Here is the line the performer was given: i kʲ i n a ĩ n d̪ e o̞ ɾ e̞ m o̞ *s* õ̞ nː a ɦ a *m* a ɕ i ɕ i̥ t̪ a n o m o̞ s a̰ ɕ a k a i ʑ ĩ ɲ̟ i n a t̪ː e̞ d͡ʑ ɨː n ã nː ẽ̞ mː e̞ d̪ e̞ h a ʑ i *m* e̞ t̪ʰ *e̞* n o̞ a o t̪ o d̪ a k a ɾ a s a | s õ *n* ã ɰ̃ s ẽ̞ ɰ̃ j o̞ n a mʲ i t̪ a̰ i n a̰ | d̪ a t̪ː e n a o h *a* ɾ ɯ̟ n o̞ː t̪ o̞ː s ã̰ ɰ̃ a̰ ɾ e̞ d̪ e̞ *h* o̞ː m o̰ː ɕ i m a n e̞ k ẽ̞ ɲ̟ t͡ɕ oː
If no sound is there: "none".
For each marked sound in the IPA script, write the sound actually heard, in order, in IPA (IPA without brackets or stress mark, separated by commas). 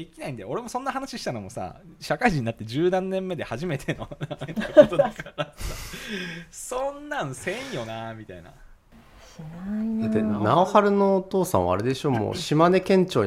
s, n, m, e̞, nː, a, ɕ